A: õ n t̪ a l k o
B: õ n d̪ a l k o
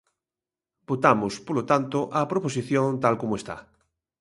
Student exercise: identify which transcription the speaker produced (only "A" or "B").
A